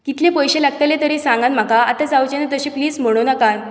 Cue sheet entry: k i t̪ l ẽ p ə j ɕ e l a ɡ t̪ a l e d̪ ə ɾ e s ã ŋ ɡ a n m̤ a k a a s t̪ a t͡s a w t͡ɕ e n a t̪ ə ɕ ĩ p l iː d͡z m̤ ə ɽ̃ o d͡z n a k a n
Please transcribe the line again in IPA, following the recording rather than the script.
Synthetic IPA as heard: k i t̪ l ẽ p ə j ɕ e l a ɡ t̪ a l e t̪ ə ɾ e s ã ŋ ɡ a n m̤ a k a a t̪ a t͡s a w t͡ɕ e n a t̪ ə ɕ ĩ p l iː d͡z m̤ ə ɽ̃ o n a k a n